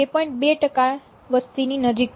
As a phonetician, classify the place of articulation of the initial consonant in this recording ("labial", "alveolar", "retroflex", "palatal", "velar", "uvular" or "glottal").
labial